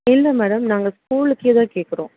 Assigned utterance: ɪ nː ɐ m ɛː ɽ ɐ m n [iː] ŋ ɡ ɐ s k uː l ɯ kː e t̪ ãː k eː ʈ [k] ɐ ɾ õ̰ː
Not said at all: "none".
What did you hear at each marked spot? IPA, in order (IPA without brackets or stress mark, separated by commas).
aː, k